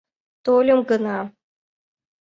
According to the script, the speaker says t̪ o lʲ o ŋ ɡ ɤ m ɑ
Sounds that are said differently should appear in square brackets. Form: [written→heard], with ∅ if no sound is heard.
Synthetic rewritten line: t̪ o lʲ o [ŋ→m] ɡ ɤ [m→n] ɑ